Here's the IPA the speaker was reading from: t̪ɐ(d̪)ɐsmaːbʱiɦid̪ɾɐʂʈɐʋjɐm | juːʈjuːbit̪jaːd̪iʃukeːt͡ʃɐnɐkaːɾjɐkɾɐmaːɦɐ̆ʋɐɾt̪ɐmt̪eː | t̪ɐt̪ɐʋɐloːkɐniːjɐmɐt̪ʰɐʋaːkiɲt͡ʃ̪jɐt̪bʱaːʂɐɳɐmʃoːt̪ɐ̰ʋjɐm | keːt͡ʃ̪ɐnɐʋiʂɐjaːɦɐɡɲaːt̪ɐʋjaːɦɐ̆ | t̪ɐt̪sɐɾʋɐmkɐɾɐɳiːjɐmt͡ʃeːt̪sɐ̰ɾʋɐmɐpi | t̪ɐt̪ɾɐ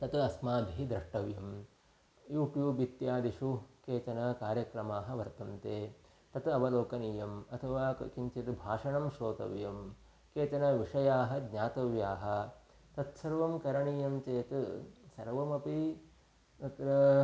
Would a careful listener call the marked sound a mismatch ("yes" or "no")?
yes